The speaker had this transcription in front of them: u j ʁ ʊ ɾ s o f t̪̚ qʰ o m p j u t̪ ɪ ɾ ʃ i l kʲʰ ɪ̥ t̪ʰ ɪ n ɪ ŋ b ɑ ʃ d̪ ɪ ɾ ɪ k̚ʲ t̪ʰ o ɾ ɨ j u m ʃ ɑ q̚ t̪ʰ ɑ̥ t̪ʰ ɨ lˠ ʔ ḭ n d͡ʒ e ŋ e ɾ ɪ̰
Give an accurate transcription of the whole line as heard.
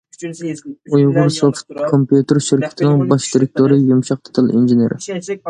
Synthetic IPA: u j ʁ ʊ ɾ s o f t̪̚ kʰ o m p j u t̪ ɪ ɾ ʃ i ɾ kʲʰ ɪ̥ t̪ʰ ɪ n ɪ ŋ b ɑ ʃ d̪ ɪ ɾ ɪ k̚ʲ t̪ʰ o ɾ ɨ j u m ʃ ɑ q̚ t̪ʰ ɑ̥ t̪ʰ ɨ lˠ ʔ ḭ n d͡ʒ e n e ɾ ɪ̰